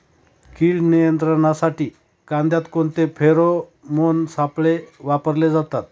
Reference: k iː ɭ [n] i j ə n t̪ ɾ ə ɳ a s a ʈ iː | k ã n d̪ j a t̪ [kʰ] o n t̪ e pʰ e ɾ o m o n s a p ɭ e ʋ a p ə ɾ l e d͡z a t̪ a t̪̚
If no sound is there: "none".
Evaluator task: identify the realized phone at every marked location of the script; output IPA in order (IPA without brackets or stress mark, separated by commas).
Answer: n, k